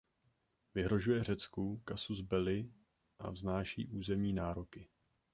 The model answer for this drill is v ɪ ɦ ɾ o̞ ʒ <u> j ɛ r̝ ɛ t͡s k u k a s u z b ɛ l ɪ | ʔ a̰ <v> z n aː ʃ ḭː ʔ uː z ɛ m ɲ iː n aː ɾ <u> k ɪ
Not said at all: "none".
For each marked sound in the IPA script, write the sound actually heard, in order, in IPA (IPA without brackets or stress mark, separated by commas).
u, v, o